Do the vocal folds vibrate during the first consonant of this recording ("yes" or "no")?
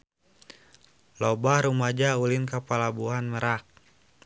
yes